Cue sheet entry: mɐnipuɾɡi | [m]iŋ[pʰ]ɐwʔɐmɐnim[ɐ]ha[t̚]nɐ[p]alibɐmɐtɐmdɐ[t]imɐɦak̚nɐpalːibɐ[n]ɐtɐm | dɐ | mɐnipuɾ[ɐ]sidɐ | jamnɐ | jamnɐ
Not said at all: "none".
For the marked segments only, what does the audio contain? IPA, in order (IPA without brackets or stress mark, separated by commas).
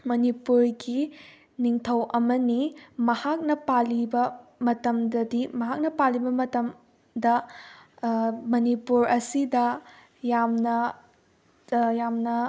n, tʰ, ɐ, k̚, p, d, m, ɐ